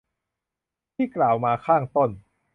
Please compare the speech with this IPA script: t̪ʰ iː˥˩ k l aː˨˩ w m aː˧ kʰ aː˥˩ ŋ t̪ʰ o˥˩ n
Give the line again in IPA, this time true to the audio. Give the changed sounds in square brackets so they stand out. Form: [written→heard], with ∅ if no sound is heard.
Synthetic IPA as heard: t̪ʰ iː˥˩ k l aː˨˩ w m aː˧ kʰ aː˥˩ ŋ [t̪ʰ→t̪] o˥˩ n

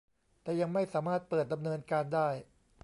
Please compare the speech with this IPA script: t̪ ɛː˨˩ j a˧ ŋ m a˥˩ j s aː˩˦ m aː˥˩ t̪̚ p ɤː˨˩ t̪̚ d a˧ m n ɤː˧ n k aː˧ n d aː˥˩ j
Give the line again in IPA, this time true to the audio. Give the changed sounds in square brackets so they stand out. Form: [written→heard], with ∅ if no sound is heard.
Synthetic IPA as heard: t̪ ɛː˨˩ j a˧ ŋ m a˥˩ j s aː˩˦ m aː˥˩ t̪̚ p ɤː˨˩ t̪̚ d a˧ m n ɤː˧ n k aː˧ n d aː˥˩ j

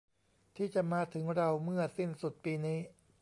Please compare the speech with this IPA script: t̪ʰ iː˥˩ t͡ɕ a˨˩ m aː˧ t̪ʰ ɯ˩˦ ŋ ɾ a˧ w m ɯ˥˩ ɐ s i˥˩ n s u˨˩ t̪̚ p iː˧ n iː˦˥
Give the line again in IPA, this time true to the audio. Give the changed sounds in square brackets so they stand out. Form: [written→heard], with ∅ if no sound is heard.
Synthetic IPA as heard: t̪ʰ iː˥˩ t͡ɕ a˨˩ m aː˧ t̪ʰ ɯ˩˦ ŋ ɾ a˧ w m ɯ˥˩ ɐ s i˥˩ n s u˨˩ t̪̚ p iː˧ n iː˦˥

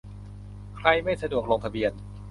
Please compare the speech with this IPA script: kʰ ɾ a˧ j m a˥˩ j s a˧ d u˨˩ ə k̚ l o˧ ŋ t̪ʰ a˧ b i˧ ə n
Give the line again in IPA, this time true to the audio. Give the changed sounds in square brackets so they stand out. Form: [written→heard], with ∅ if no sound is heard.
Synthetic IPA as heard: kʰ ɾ a˧ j m a˥˩ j s a˧ d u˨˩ ə k̚ l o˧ ŋ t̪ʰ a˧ b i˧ ə n

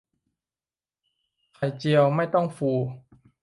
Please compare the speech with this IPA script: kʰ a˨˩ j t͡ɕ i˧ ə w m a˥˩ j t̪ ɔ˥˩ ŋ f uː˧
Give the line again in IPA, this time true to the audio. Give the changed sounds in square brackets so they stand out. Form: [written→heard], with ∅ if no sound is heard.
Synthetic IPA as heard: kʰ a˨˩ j t͡ɕ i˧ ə w m a˥˩ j t̪ ɔ˥˩ ŋ f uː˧

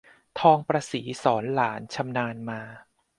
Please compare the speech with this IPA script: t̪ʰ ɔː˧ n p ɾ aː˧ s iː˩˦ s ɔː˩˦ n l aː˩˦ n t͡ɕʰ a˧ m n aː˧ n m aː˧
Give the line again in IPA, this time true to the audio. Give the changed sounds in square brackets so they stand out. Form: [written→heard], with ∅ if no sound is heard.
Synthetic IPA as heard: t̪ʰ ɔː˧ [n→ŋ] p ɾ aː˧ s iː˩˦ s ɔː˩˦ n l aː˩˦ n t͡ɕʰ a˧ m n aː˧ n m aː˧

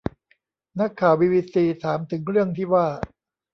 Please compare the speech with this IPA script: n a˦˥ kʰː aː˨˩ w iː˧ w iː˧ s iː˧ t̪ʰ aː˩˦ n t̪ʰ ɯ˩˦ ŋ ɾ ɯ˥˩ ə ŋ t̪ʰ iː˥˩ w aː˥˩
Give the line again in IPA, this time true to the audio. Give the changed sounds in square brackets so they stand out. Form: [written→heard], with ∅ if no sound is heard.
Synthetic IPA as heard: n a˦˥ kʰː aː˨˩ w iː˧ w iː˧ s iː˧ t̪ʰ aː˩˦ [n→m] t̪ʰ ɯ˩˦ ŋ ɾ ɯ˥˩ ə ŋ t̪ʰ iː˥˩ w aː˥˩

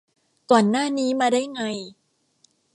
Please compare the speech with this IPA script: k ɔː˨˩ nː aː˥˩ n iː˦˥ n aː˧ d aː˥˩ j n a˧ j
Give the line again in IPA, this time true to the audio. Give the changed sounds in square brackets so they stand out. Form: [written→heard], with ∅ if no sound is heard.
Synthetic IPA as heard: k ɔː˨˩ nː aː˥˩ n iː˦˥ [n→m] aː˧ d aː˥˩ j [n→ŋ] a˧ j

